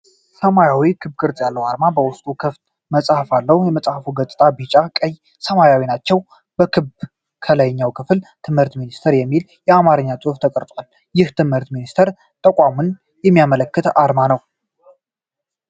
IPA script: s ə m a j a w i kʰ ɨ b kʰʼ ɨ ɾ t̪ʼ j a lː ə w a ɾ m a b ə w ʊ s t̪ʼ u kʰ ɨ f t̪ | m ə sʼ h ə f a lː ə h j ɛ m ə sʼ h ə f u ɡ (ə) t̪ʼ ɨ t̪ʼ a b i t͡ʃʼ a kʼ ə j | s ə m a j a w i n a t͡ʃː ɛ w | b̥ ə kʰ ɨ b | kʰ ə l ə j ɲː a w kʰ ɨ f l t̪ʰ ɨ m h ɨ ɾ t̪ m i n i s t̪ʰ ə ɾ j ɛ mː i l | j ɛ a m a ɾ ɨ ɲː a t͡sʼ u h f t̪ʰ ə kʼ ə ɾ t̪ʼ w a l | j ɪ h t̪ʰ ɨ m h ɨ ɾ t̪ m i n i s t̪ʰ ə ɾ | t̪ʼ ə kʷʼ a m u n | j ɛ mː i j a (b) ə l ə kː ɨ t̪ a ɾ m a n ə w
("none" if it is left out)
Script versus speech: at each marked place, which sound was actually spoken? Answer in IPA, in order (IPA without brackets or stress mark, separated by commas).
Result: ə, m